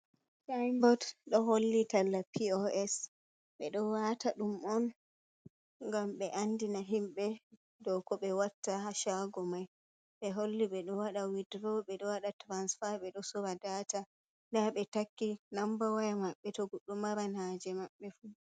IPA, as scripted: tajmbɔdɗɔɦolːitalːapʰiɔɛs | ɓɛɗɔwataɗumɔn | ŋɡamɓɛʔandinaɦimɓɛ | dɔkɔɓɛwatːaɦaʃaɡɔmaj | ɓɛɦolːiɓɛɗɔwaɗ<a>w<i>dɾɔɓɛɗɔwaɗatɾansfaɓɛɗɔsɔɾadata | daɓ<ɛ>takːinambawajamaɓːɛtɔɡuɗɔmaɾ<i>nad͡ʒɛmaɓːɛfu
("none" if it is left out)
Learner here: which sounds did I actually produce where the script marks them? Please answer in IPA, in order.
a, i, ɛ, a

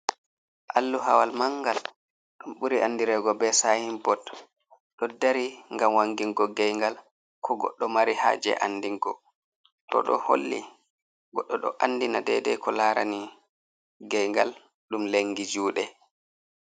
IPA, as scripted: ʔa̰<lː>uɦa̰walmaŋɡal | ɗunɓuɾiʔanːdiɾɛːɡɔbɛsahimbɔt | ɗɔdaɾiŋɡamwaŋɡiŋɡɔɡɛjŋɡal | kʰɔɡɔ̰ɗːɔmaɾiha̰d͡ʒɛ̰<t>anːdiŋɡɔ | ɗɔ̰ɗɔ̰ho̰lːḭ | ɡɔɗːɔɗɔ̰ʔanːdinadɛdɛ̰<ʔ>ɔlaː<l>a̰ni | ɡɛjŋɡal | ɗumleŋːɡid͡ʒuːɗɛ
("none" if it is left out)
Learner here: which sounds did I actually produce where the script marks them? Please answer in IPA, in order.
lː, ʔ, k, ɾ

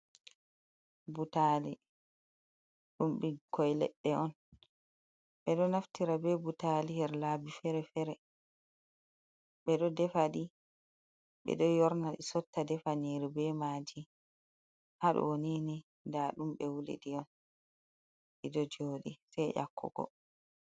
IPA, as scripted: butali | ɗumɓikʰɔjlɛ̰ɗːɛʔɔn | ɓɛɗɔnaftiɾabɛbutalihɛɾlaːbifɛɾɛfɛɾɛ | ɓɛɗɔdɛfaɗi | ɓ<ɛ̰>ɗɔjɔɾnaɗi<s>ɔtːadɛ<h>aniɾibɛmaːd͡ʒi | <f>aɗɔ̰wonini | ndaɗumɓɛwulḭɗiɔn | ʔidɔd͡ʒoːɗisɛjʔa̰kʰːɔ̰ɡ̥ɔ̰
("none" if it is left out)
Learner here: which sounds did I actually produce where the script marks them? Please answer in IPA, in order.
ɛ̰, s, f, h

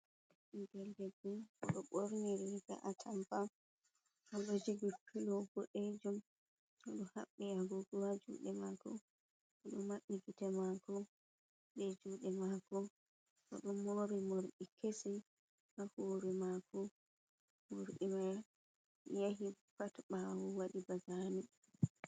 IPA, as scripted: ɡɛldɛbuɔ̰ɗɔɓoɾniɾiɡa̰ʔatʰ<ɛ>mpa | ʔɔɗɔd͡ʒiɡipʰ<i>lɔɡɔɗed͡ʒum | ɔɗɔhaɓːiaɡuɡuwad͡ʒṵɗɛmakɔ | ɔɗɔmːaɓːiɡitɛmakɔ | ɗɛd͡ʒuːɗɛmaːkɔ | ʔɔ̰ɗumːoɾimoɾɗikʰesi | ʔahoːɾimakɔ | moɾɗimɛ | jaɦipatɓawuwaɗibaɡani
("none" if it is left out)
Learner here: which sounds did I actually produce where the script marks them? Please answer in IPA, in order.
a, i

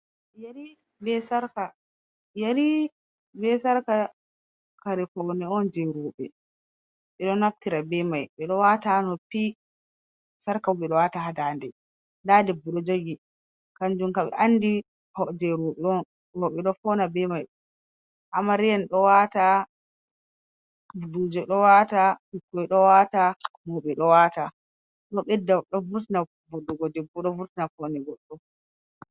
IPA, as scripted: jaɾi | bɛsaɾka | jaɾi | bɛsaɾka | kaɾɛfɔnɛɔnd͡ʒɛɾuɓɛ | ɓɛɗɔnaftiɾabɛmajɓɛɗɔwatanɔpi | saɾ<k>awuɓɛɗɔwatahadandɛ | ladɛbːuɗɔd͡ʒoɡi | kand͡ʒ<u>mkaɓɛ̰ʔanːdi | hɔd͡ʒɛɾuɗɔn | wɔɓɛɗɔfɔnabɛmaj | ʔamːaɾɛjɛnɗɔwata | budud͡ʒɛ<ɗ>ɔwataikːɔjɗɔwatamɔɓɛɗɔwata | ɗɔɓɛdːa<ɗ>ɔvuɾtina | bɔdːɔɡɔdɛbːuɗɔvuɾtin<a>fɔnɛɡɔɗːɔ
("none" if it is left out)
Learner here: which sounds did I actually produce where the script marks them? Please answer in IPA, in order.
k, u, ɗ, ɗ, a

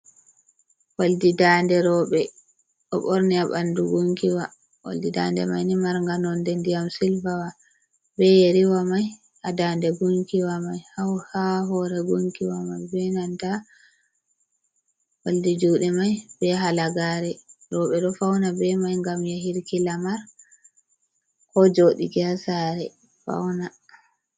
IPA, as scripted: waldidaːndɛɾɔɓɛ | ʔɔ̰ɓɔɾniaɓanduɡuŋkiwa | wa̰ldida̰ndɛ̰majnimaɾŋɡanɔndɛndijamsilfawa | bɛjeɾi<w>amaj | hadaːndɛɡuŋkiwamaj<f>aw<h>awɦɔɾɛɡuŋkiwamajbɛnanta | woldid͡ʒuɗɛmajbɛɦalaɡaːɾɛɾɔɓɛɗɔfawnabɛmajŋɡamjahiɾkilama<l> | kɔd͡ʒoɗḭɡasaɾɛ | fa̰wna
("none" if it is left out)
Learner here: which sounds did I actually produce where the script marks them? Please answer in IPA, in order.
w, h, h, ɾ

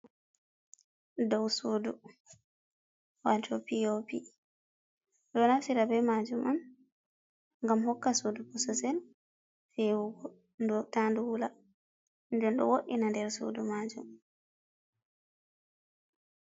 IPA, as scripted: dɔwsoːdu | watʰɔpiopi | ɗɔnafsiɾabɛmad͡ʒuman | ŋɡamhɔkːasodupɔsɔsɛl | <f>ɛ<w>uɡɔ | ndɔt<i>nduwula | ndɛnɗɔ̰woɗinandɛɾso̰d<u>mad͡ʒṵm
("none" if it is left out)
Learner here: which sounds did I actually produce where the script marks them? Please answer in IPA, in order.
f, w, a, u

